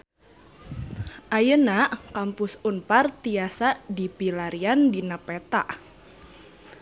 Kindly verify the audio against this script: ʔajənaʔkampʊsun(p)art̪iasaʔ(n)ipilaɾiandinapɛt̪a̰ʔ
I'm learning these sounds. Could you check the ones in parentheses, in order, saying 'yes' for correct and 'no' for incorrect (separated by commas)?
yes, no